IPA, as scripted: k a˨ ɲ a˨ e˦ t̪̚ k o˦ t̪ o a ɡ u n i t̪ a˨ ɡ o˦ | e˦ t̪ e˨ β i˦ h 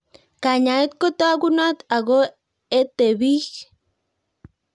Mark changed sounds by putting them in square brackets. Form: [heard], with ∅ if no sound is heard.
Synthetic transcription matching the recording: k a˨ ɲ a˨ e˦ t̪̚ k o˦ t̪ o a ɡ u n [a] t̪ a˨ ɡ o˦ | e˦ t̪ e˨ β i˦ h